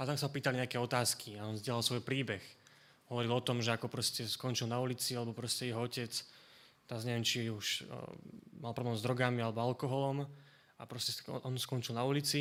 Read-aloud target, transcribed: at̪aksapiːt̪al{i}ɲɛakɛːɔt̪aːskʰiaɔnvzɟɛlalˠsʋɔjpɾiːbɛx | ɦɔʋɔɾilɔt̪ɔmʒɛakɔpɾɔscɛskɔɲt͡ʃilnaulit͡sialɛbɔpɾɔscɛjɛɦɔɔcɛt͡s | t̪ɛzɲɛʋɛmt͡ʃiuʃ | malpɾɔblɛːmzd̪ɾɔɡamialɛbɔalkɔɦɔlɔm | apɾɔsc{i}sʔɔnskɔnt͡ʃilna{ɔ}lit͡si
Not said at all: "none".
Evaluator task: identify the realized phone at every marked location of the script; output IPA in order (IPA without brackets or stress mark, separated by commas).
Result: i, ɛ, u